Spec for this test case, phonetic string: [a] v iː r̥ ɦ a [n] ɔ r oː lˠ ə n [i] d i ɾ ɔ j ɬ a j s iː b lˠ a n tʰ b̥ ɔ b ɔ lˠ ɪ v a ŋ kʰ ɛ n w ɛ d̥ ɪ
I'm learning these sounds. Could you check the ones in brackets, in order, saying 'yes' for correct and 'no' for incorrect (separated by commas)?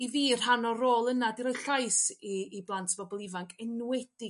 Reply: no, yes, no